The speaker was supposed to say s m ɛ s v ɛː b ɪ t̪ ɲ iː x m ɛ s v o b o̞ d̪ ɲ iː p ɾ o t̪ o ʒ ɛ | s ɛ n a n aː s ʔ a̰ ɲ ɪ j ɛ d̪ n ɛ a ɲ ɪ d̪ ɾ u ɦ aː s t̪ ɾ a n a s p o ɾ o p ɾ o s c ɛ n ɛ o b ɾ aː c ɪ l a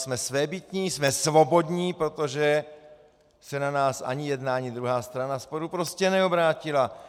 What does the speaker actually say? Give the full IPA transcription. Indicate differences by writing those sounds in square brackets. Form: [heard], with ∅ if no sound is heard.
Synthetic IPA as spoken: s m ɛ s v ɛː b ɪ t̪ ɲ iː [s] m ɛ s v o b o̞ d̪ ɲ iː p ɾ o t̪ o ʒ ɛ | s ɛ n a n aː s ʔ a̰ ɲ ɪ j ɛ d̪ n [a] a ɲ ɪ d̪ ɾ u ɦ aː s t̪ ɾ a n a s p o ɾ [u] p ɾ o s c ɛ n ɛ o b ɾ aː c ɪ l a